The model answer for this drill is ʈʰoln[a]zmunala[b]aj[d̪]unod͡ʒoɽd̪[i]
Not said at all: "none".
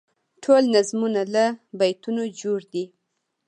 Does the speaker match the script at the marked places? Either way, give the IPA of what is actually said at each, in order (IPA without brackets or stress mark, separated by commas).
a, b, t̪, i